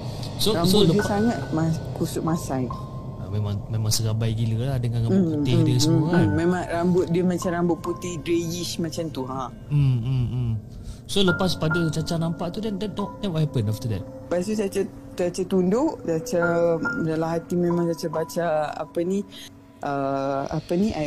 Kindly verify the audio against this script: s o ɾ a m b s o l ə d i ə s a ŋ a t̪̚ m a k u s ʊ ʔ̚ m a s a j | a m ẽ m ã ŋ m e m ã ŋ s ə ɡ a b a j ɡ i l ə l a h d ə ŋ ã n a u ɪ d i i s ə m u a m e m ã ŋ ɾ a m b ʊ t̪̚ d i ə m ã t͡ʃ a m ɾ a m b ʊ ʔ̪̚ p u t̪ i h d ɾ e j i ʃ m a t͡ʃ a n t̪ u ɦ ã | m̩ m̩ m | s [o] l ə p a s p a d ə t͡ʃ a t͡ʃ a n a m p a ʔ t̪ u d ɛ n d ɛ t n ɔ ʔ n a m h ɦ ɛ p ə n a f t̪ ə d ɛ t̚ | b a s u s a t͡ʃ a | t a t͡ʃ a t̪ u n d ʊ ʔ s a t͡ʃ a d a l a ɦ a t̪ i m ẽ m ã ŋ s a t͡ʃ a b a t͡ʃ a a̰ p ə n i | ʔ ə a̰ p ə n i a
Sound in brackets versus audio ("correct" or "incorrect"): correct